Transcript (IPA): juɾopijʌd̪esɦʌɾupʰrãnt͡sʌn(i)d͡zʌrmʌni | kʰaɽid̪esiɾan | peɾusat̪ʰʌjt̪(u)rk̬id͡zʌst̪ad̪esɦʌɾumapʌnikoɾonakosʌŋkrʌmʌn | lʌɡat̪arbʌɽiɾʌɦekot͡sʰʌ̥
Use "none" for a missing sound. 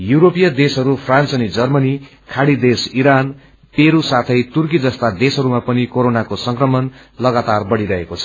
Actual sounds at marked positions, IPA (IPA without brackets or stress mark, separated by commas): i, u